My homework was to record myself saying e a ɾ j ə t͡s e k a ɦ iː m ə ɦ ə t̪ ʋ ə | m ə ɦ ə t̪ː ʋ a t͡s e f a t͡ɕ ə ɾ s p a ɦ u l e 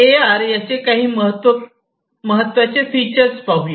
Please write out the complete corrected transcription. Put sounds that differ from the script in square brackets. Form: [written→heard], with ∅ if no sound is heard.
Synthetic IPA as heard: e a ɾ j [ə→a] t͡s e k a ɦ iː m ə ɦ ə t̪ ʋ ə | m ə ɦ ə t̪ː ʋ a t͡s e f [a→i] t͡ɕ ə ɾ s p a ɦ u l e